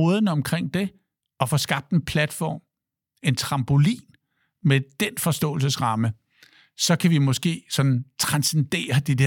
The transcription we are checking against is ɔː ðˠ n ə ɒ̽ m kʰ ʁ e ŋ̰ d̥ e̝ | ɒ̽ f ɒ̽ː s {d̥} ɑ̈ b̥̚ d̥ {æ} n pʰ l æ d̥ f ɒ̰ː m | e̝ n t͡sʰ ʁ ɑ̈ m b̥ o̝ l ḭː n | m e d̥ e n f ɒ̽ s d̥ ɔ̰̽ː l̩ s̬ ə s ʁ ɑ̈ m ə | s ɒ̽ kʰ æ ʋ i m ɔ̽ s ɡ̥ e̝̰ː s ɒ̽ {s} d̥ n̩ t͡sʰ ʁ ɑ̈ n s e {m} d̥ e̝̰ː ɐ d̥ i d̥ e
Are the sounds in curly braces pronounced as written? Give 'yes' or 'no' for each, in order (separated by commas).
no, no, no, no